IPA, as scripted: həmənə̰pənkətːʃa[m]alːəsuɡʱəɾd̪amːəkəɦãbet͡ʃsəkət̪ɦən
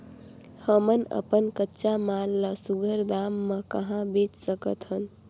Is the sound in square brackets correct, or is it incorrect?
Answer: correct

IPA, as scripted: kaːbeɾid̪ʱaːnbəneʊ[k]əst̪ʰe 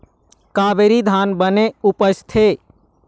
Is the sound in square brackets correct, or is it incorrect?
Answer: incorrect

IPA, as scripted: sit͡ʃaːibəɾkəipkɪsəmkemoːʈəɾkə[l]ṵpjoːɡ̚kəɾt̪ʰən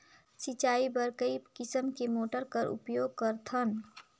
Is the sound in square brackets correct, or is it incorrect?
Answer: incorrect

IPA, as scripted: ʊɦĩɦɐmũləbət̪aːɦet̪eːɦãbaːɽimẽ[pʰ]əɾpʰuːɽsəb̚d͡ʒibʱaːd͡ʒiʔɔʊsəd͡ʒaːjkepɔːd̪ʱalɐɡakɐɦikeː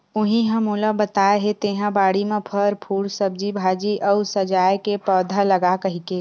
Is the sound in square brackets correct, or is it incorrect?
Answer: correct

